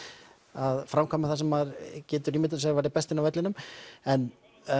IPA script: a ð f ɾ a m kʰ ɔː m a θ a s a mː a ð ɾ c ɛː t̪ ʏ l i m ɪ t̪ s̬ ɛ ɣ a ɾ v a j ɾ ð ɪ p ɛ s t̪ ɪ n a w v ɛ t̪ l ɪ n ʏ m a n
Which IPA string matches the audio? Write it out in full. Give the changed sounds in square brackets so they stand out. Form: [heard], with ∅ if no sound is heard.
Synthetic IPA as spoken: a ð f ɾ a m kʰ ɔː m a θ a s [ɛ] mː a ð ɾ c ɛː t̪ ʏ [ɾ] i m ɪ t̪ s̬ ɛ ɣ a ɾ v a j ɾ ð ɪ p ɛ s t̪ ɪ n a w v ɛ t̪ l ɪ n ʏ m [ɛ] n